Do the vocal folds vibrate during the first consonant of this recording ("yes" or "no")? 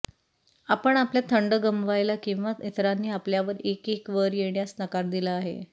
no